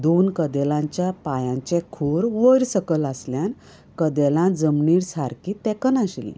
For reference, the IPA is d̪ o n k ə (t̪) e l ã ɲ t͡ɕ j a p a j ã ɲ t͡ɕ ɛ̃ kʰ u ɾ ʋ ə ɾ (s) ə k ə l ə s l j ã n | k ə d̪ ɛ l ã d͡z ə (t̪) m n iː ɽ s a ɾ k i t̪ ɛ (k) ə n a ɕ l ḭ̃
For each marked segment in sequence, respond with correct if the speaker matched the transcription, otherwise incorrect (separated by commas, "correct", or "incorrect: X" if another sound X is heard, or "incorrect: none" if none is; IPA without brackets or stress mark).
incorrect: d̪, correct, incorrect: none, correct